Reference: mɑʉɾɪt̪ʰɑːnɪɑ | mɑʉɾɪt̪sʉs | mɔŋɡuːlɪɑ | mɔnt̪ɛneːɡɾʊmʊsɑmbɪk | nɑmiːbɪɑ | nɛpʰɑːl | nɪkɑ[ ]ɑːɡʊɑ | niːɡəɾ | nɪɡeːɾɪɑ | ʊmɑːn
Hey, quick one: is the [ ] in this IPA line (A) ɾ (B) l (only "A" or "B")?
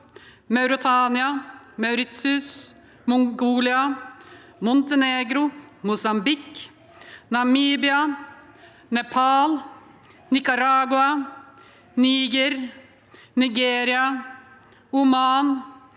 A